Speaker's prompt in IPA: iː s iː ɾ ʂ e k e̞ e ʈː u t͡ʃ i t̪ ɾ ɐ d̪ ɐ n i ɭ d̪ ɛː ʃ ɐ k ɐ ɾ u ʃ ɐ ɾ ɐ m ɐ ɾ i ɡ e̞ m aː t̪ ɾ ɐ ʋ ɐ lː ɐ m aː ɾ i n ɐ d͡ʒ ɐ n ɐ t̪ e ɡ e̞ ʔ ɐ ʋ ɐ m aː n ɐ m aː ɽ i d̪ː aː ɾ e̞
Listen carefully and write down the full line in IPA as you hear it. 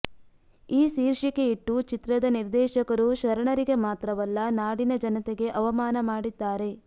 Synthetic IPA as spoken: iː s iː ɾ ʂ i k e̞ i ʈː u t͡ʃ i t̪ ɾ ɐ d̪ ɐ n i ɾ d̪ ɛː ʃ ɐ k ɐ ɾ u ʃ ɐ ɾ ɐ ɳ ɐ ɾ i ɡ e̞ m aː t̪ ɾ ɐ ʋ ɐ lː ɐ n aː ɽ i n ɐ d͡ʒ ɐ n ɐ t̪ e ɡ e̞ ʔ ɐ ʋ ɐ m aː n ɐ m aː ɽ i d̪ː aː ɾ e̞